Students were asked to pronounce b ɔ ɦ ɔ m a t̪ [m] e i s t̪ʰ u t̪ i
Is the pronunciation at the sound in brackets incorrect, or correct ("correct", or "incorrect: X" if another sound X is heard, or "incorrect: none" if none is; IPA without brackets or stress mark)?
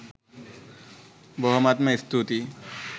correct